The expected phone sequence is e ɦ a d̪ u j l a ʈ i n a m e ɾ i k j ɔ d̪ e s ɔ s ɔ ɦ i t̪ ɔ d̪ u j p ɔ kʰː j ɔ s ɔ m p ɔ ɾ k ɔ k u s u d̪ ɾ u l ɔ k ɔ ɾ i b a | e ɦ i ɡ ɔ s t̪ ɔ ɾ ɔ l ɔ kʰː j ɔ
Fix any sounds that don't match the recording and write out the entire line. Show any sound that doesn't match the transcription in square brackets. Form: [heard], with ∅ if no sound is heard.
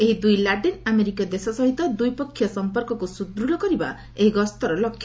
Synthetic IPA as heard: e ɦ [i] d̪ u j l a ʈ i n a m e ɾ i k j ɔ d̪ e s ɔ s ɔ ɦ i t̪ ɔ d̪ u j p ɔ kʰː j ɔ s ɔ m p ɔ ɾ k ɔ k u s u d̪ ɾ u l ɔ k ɔ ɾ i b a | e ɦ i ɡ ɔ s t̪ ɔ ɾ ɔ l ɔ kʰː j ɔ